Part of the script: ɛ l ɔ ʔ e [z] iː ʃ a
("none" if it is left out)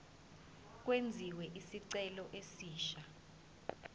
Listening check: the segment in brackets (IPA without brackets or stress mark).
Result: s